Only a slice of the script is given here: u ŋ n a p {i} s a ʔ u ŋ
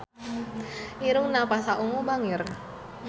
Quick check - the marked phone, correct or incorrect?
incorrect